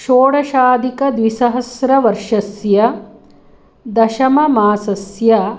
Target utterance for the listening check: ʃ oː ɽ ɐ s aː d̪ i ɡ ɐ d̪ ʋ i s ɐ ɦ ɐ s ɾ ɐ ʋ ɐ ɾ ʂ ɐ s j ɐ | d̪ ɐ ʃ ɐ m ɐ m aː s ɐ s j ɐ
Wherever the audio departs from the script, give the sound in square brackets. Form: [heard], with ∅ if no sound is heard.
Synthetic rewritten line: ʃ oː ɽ ɐ [ʃ] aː d̪ i [k] ɐ d̪ ʋ i s ɐ ɦ ɐ s ɾ ɐ ʋ ɐ ɾ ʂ ɐ s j ɐ | d̪ ɐ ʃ ɐ m ɐ m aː s ɐ s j ɐ